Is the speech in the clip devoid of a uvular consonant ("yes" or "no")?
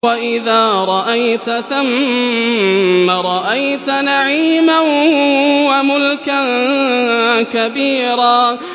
yes